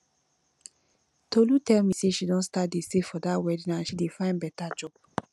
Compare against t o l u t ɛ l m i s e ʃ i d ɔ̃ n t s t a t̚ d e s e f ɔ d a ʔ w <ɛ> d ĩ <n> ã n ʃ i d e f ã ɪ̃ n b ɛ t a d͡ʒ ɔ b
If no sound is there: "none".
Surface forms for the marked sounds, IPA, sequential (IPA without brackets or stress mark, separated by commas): ɛ, n